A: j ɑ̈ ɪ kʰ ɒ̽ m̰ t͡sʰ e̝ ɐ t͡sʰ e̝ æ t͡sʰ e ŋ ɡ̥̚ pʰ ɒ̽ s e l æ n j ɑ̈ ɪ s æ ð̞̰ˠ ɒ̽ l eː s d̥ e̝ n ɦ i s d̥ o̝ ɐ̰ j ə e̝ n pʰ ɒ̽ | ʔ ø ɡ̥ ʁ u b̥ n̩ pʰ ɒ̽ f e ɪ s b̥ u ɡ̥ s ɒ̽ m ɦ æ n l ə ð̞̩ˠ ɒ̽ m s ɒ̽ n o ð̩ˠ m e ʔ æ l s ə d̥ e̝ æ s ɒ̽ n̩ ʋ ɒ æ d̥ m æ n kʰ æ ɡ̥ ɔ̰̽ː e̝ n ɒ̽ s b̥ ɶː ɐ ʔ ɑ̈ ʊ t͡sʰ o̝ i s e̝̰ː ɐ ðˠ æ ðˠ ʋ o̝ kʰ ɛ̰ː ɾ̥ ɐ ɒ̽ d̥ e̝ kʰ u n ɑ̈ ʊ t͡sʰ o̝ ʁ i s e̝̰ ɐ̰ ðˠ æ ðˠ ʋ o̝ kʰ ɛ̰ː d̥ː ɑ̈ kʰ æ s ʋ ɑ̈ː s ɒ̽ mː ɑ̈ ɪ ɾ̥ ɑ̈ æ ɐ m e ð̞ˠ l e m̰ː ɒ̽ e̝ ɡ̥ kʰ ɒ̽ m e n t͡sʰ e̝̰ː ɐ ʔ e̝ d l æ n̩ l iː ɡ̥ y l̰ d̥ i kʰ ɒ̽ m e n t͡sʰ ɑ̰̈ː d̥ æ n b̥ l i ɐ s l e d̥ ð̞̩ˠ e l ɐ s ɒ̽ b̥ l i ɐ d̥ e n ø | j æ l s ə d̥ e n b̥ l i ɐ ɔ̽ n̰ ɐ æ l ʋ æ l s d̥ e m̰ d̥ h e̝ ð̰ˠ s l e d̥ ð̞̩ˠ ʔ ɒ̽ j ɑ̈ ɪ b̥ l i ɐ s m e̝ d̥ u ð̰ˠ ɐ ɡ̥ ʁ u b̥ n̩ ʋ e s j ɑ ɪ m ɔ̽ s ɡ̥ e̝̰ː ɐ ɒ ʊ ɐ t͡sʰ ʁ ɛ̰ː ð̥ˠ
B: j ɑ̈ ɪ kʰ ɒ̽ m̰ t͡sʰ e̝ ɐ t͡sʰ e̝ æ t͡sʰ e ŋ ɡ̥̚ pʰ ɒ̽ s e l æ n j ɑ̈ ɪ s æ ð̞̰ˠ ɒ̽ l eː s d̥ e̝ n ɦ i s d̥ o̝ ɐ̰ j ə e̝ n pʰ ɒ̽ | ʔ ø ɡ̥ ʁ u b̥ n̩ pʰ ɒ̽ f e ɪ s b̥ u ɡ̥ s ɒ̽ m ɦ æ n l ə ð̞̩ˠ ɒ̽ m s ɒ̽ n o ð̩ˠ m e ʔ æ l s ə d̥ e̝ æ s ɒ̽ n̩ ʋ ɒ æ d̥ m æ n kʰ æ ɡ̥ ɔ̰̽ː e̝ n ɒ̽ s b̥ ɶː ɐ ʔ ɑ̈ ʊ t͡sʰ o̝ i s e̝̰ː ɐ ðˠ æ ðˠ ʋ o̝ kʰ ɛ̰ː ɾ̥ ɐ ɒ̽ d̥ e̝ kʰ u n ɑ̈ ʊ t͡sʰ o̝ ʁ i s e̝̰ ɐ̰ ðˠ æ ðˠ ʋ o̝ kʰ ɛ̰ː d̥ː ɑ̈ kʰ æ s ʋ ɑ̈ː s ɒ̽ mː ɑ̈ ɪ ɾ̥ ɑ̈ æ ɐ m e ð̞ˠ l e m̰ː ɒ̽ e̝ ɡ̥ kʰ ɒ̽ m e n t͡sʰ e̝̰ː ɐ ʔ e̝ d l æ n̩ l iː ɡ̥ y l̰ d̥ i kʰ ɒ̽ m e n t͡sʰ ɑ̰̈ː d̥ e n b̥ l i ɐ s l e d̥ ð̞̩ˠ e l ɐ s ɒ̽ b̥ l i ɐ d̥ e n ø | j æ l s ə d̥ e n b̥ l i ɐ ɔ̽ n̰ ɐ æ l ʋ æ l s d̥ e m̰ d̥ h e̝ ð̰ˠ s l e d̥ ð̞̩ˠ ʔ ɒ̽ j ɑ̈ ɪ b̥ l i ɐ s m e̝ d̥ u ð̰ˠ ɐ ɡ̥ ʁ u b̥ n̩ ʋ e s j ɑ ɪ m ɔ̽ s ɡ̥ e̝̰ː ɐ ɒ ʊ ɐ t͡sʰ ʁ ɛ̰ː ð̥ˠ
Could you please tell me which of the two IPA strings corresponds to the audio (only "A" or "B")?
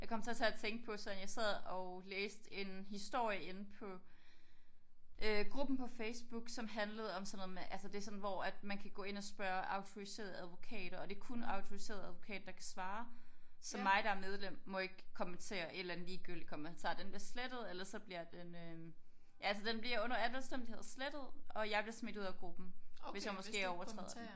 B